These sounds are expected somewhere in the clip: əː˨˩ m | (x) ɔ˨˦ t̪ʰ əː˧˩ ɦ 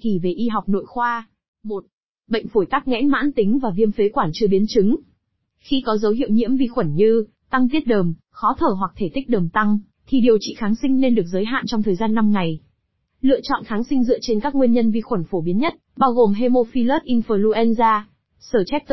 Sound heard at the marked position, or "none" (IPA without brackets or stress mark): x